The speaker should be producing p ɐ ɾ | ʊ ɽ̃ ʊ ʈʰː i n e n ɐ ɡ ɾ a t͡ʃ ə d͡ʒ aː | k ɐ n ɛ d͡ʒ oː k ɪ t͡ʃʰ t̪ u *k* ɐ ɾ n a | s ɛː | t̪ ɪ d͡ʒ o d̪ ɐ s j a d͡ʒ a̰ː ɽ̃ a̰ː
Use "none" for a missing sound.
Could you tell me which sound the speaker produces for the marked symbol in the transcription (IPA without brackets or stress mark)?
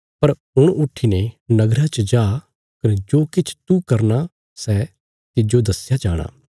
k